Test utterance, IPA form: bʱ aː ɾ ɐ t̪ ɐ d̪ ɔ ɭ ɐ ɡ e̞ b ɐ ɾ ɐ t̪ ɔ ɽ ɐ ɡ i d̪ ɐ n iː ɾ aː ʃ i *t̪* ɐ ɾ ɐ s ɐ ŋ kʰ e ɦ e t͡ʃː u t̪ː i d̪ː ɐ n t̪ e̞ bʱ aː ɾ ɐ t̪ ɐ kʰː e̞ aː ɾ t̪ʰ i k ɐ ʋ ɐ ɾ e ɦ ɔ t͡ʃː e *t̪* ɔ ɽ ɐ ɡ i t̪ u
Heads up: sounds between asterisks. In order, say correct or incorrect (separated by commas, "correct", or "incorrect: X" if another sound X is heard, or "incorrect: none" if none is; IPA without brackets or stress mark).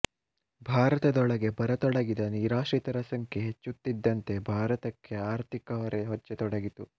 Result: correct, correct